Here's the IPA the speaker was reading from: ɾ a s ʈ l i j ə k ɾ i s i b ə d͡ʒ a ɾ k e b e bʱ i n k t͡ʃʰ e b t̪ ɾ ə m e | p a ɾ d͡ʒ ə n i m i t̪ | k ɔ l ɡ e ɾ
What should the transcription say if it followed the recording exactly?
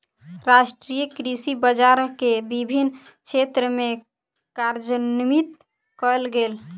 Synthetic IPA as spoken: ɾ a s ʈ ɾ i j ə k ɾ i s i b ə d͡ʒ a ɾ k e b i bʱ i n k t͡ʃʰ e t̪ ɾ ə m e | k a ɾ d͡ʒ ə n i m i t̪ | k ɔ l ɡ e l